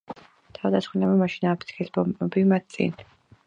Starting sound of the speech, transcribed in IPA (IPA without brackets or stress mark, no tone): t̪ʰ